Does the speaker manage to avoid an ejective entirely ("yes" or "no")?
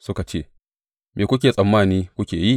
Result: no